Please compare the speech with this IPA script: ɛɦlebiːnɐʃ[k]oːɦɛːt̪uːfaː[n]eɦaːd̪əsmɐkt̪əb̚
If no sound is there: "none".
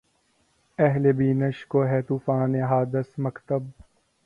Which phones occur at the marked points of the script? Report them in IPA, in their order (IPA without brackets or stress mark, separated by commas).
k, n